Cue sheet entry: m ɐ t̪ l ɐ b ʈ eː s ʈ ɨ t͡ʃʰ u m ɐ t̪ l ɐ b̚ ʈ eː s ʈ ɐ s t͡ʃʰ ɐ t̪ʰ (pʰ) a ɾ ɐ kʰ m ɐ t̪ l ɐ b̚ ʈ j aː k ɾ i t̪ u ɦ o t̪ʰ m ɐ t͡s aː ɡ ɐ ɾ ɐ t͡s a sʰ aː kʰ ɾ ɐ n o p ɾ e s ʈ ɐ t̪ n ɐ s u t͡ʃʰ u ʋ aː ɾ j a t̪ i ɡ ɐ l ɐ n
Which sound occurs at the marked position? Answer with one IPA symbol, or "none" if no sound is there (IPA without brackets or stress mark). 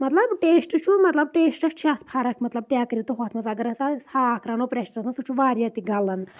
pʰ